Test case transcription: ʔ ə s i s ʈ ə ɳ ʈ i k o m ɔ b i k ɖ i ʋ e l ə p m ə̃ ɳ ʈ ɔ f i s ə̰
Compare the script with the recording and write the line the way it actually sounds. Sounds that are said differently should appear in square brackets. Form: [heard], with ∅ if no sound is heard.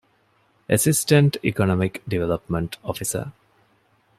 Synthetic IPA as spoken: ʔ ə s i s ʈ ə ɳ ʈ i k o [n] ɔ [m] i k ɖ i ʋ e l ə p m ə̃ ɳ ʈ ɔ f i s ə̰